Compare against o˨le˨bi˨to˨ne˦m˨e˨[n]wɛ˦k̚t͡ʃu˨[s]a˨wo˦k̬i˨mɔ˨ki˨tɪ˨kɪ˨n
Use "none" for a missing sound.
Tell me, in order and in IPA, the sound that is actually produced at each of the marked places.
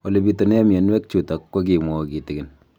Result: n, t

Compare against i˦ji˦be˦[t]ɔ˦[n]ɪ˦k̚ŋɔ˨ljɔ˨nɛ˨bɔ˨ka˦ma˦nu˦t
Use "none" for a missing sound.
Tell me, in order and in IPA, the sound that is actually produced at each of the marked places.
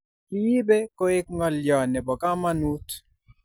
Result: k, none

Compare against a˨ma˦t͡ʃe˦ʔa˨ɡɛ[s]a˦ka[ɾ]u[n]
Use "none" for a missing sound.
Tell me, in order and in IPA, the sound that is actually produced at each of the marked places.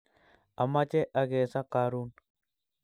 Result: s, ɾ, n

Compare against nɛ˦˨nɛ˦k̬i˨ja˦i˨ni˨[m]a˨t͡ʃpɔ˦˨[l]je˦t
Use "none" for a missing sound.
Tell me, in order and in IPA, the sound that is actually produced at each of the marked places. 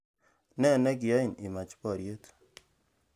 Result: m, ɾ

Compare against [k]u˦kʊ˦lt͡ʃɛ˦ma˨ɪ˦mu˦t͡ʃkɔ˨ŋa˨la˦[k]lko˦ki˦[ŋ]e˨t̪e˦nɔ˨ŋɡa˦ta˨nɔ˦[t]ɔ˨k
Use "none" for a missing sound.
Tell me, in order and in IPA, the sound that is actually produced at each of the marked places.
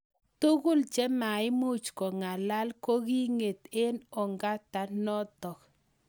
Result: t, none, ŋ, t

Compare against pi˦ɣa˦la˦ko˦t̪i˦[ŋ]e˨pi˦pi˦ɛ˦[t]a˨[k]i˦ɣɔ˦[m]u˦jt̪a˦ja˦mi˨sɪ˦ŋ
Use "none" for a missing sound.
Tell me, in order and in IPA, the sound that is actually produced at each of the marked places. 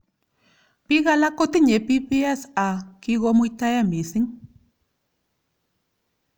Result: ɲ, s, k, m

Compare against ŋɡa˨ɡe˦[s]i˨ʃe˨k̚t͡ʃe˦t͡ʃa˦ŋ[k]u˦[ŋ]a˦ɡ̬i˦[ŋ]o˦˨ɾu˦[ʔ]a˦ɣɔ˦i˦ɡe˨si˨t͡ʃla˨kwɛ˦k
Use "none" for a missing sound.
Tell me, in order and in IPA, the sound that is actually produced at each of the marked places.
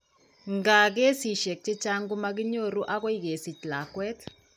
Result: s, ɡ, m, ɲ, ʔ

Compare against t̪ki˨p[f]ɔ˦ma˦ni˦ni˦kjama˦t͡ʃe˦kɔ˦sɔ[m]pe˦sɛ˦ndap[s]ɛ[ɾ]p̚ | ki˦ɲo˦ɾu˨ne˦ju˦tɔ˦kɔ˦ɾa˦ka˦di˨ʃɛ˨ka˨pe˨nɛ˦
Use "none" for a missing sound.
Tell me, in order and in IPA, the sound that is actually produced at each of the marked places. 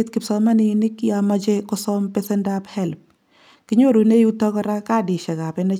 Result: s, m, h, l

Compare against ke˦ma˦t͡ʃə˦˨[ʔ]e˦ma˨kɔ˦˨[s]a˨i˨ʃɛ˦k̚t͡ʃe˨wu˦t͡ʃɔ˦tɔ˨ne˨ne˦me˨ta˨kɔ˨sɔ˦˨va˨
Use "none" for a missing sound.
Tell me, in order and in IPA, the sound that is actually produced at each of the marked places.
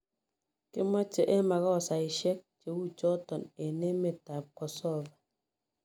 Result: ʔ, s

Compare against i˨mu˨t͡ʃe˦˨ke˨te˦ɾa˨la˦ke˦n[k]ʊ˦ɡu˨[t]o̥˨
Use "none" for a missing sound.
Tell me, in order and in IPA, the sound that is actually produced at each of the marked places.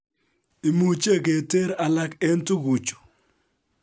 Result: t, t͡ʃ

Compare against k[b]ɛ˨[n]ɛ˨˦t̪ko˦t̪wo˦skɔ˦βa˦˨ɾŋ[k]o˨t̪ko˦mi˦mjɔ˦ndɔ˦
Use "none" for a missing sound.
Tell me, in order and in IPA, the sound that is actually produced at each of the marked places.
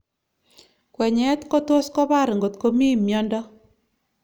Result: w, ɲ, ɡ

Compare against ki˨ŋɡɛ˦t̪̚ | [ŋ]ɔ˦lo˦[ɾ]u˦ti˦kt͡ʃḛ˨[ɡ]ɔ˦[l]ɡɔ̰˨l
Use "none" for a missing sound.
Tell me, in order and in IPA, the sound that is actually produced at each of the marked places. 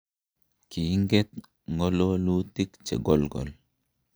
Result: ŋ, l, ɡ, l

